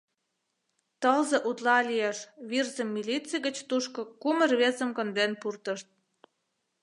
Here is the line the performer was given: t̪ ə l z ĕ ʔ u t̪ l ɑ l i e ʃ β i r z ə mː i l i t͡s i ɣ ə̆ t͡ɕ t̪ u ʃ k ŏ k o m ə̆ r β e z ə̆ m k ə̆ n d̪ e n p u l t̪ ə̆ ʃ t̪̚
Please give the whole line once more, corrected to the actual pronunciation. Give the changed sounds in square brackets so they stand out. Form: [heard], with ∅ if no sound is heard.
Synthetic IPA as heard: t̪ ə l z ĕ ʔ u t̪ l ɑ l i e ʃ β i r z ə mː i l i t͡s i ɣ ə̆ t͡ɕ t̪ u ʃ k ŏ k [u] m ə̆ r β e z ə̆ m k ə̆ n d̪ e n p u [r] t̪ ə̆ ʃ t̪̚